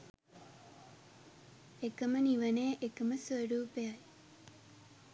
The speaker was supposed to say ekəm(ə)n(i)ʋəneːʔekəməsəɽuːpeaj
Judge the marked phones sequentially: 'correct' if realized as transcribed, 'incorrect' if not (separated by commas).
correct, correct